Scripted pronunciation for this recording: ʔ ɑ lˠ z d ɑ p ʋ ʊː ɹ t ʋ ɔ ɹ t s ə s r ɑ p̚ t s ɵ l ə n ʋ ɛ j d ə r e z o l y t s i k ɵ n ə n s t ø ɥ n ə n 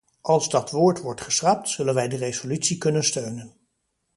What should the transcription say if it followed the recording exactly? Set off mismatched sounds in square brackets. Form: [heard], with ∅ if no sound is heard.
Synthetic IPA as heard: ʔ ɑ lˠ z d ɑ [t] ʋ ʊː ɹ t ʋ ɔ ɹ t [χ] ə s r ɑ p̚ t s ɵ l ə n ʋ ɛ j d ə r e z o l y t s i k ɵ n ə n s t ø ɥ n ə n